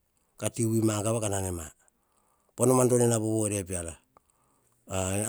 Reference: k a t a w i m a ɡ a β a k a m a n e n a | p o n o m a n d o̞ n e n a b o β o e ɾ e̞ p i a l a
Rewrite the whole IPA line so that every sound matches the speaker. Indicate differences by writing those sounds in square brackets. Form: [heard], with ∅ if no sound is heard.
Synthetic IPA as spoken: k a t [i] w i m a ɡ a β a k a [n] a n e [m] a | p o n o m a n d o̞ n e n a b o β o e ɾ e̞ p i a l a